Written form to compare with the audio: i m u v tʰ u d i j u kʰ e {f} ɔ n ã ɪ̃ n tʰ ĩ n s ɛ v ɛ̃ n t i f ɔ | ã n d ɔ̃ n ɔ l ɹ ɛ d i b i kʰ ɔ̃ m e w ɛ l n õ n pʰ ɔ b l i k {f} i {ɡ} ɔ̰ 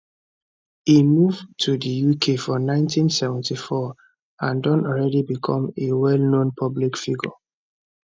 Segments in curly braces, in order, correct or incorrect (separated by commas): correct, correct, correct